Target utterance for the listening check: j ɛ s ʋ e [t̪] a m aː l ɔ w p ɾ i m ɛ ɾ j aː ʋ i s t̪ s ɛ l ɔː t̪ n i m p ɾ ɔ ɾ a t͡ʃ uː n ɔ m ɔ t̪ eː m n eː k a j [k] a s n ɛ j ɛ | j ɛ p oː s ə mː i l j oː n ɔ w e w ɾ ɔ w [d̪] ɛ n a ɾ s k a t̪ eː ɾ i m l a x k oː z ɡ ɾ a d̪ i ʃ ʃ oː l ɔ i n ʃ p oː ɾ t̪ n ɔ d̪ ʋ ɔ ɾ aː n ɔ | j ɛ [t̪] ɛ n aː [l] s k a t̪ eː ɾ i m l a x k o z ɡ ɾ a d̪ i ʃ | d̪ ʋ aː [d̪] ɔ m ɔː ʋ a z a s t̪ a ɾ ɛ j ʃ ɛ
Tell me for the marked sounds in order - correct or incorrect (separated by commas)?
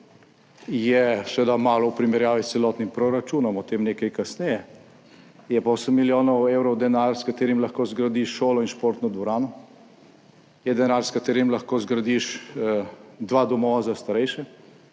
incorrect, correct, correct, incorrect, incorrect, correct